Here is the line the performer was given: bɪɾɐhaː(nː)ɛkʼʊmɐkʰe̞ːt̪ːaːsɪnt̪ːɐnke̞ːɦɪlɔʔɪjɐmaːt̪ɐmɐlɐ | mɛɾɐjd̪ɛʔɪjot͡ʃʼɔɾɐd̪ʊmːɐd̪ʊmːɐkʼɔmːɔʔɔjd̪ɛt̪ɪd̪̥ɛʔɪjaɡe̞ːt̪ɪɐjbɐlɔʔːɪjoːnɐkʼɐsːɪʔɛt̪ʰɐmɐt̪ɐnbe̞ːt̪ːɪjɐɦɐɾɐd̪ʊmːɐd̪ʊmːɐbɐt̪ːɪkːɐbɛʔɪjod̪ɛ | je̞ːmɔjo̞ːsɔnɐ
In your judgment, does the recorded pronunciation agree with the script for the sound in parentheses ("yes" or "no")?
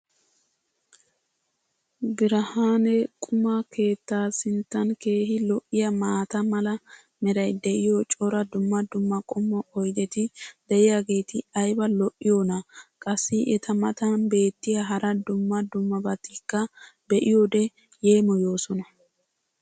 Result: no